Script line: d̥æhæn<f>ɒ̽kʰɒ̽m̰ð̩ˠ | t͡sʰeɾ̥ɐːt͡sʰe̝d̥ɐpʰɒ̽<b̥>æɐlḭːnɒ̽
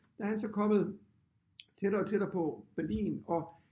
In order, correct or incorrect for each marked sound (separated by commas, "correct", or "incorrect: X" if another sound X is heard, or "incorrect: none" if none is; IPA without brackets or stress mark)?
incorrect: s, correct